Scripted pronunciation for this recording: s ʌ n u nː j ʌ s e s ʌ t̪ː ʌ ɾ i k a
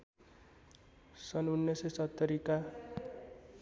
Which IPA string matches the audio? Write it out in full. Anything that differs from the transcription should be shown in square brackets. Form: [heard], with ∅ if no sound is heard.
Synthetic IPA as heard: s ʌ n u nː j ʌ s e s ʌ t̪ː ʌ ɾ i k a

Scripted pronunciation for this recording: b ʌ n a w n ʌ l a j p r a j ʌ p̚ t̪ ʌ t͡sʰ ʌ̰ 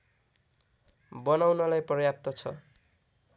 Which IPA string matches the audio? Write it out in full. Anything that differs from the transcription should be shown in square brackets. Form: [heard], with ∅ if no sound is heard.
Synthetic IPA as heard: b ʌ n a w n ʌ l a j p r [ʌ] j [a] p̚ t̪ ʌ t͡sʰ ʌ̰

